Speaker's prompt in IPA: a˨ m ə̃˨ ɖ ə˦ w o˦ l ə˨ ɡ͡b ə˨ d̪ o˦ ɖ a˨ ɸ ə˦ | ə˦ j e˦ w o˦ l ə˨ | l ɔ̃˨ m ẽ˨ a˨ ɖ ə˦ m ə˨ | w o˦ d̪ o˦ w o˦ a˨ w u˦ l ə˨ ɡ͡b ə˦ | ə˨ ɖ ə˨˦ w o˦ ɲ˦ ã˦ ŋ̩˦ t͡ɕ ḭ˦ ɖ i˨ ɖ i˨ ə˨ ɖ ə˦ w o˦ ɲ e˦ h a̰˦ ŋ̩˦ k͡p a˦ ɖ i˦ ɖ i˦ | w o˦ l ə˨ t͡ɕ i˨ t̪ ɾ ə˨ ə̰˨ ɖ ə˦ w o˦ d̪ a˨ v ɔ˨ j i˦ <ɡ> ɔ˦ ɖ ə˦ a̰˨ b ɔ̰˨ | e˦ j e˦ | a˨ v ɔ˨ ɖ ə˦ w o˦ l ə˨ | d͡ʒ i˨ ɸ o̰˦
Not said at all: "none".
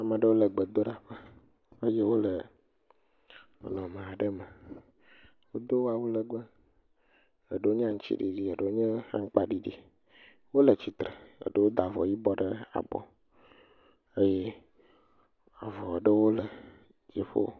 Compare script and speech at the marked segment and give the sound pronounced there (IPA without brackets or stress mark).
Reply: b